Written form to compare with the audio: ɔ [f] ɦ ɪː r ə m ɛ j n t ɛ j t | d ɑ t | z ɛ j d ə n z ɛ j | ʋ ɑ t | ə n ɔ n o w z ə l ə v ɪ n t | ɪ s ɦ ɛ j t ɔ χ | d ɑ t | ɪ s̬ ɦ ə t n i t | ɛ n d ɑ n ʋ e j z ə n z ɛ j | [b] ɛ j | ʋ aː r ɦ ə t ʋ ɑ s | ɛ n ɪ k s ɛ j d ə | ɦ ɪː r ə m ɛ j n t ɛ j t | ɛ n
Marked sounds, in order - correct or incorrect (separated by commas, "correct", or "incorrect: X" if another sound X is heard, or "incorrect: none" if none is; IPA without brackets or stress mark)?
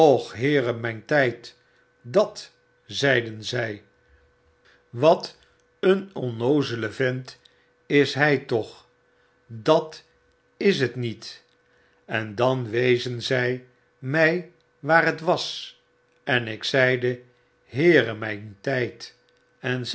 incorrect: χ, incorrect: m